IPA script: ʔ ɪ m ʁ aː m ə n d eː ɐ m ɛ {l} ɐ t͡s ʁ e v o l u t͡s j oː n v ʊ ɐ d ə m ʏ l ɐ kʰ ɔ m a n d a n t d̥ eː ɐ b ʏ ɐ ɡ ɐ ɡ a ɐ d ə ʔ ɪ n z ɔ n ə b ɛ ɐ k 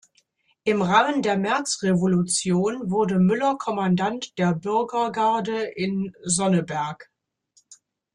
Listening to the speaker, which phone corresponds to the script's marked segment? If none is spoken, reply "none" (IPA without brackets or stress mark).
none